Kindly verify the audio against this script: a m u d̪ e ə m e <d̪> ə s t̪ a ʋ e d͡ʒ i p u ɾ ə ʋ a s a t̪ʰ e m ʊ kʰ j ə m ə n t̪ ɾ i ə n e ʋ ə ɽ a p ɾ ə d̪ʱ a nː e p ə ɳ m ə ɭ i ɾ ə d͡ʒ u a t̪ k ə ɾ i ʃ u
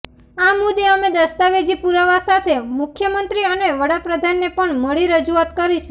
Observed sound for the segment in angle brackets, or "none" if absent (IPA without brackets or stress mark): d̪